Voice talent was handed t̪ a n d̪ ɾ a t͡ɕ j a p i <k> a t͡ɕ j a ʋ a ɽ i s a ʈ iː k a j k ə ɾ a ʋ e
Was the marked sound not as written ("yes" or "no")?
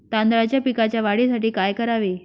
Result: no